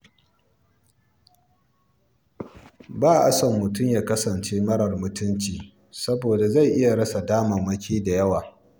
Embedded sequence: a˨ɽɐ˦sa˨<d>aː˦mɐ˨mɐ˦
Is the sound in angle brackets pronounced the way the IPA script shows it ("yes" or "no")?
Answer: yes